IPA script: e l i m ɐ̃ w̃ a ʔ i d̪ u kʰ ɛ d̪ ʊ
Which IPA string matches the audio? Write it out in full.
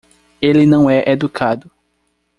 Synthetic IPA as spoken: e l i n ɐ̃ w̃ ɛ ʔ e d̪ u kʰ a d̪ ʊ